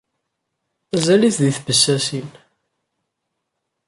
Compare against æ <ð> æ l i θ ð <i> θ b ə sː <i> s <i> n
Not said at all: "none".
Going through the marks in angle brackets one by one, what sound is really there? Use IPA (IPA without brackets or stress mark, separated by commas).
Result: z, i, æ, i